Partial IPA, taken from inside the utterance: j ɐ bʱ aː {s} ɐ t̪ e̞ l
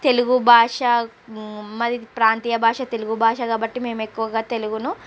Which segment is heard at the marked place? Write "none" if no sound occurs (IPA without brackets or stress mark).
ʂ